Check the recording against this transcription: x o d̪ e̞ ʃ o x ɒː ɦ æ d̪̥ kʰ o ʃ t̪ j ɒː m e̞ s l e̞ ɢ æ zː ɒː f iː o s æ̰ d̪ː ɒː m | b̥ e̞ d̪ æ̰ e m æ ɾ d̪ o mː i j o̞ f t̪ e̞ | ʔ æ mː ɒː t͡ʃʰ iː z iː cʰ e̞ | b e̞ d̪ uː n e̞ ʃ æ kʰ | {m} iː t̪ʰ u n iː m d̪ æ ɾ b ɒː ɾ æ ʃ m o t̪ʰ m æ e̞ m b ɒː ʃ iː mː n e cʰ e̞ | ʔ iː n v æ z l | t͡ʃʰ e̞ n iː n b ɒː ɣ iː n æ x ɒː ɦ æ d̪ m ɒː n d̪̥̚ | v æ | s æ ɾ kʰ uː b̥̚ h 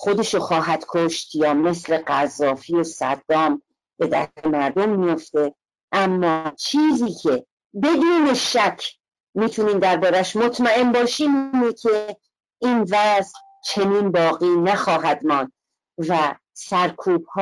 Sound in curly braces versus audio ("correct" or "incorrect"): correct